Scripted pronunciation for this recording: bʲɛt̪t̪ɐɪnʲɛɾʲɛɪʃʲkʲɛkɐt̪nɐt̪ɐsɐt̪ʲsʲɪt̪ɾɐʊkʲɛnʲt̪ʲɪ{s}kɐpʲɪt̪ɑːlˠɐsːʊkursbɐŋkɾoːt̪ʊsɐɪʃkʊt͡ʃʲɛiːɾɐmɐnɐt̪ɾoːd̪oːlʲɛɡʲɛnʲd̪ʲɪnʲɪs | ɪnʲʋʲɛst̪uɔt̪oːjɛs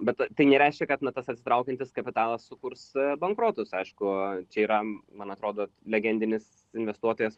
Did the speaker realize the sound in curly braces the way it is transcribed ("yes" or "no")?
yes